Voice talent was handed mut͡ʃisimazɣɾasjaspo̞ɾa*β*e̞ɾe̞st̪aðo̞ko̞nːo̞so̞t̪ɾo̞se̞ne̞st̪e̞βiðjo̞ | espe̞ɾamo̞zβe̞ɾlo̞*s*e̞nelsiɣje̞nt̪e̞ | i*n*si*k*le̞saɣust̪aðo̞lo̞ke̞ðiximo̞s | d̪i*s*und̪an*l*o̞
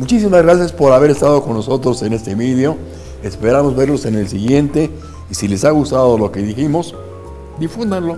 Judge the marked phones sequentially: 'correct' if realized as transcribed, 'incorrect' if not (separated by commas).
correct, correct, incorrect, incorrect, incorrect, correct